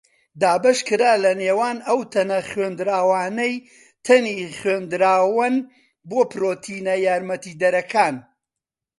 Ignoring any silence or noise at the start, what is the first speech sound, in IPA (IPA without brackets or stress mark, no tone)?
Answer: d̪